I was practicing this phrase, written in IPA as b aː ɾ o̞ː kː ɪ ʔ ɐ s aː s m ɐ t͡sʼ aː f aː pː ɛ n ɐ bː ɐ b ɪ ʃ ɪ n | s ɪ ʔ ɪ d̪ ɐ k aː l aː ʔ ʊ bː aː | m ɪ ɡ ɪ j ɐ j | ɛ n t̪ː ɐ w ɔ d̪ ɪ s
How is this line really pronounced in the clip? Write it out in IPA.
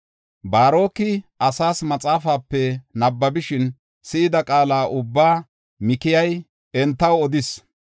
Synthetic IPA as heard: b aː ɾ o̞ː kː ɪ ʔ ɐ s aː s m ɐ t͡sʼ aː f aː pː ɛ n ɐ bː ɐ b ɪ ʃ ɪ n | s ɪ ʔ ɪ d̪ ɐ kʼ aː l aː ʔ ʊ bː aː | m ɪ k ɪ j ɐ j | ɛ n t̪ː ɐ w ɔ d̪ ɪ s

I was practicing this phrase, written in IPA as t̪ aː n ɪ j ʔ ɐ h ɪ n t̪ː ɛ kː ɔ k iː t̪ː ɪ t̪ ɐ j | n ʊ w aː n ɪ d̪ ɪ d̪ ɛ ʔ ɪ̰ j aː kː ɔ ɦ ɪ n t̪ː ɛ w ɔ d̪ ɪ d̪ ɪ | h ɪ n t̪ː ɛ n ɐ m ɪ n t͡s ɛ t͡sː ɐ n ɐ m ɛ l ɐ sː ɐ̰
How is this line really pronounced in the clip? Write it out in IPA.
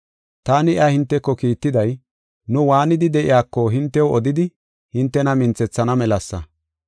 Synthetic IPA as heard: t̪ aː n ɪ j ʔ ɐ h ɪ n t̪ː ɛ kː ɔ k iː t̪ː ɪ d̪ ɐ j | n ʊ w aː n ɪ d̪ ɪ d̪ ɛ ʔ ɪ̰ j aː kː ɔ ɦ ɪ n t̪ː ɛ w ɔ d̪ ɪ d̪ ɪ | h ɪ n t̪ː ɛ n ɐ m ɪ n t͡s ɛ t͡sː ɐ n ɐ m ɛ l ɐ sː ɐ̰

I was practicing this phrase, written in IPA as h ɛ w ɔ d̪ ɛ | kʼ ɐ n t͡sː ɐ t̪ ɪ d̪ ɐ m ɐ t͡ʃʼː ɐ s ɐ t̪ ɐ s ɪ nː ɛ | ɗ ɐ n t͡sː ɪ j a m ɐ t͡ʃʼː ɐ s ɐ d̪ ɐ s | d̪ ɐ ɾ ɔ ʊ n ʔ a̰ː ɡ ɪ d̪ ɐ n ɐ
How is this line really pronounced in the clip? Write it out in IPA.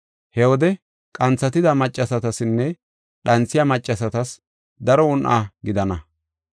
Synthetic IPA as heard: h ɛ w ɔ d̪ ɛ | kʼ ɐ n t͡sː ɐ t̪ ɪ d̪ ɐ m ɐ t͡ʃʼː ɐ s ɐ t̪ ɐ s ɪ nː ɛ | ɗ ɐ n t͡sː ɪ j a m ɐ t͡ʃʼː ɐ s ɐ t̪ ɐ s | d̪ ɐ ɾ ɔ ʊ n ʔ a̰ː ɡ ɪ d̪ ɐ n ɐ

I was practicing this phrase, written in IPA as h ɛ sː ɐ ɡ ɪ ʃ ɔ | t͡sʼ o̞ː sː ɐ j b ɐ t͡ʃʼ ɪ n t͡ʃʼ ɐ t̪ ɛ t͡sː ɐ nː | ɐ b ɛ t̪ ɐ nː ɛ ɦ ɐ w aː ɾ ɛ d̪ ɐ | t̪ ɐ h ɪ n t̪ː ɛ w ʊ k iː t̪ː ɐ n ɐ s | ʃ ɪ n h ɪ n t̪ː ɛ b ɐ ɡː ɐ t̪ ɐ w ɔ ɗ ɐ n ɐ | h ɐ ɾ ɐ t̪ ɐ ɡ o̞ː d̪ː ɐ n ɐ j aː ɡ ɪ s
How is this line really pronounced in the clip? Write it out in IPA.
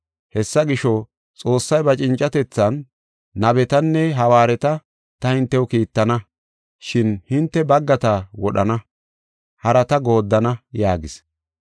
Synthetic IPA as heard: h ɛ sː ɐ ɡ ɪ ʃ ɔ | t͡sʼ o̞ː sː ɐ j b ɐ t͡ʃʼ ɪ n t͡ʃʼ ɐ t̪ ɛ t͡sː ɐ nː | ɐ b ɛ t̪ ɐ nː ɛ ɦ ɐ w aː ɾ ɛ t̪ ɐ | t̪ ɐ h ɪ n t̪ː ɛ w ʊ k iː t̪ː ɐ n ɐ | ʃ ɪ n h ɪ n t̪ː ɛ b ɐ ɡː ɐ t̪ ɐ w ɔ ɗ ɐ n ɐ | h ɐ ɾ ɐ t̪ ɐ ɡ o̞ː d̪ː ɐ n ɐ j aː ɡ ɪ s

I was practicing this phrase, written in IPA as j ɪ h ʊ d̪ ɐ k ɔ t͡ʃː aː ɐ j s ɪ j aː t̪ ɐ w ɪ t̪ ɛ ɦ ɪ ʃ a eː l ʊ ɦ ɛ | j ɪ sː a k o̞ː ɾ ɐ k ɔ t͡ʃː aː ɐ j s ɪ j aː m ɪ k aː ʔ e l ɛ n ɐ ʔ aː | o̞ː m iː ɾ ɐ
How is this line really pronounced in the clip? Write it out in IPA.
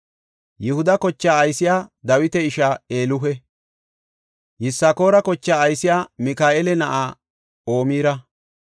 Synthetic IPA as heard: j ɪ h ʊ d̪ ɐ k ɔ t͡ʃː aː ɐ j s ɪ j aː d̪ ɐ w ɪ t̪ ɛ ɪ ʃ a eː l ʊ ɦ ɛ | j ɪ sː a k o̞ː ɾ ɐ k ɔ t͡ʃː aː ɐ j s ɪ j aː m ɪ k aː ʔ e l ɛ n ɐ ʔ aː | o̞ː m iː ɾ ɐ

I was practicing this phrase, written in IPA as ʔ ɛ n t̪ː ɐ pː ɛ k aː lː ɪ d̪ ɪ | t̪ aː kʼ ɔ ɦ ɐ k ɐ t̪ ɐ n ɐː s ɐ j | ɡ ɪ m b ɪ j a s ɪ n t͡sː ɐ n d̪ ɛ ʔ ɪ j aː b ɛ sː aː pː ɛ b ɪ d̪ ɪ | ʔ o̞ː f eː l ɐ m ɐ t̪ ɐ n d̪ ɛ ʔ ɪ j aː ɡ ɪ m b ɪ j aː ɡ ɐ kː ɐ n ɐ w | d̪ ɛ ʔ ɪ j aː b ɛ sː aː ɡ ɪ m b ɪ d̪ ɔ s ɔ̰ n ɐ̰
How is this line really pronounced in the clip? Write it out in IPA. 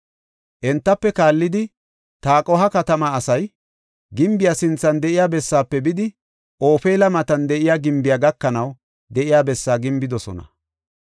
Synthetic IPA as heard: ʔ ɛ n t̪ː ɐ pː ɛ k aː lː ɪ d̪ ɪ | t̪ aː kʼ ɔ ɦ ɐ k ɐ t̪ ɐ m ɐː s ɐ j | ɡ ɪ m b ɪ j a s ɪ n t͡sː ɐ n d̪ ɛ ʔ ɪ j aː b ɛ sː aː pː ɛ b ɪ d̪ ɪ | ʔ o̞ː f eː l ɐ m ɐ t̪ ɐ n d̪ ɛ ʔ ɪ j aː ɡ ɪ m b ɪ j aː ɡ ɐ kː ɐ n ɐ w | d̪ ɛ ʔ ɪ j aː b ɛ sː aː ɡ ɪ m b ɪ d̪ ɔ s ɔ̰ n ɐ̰

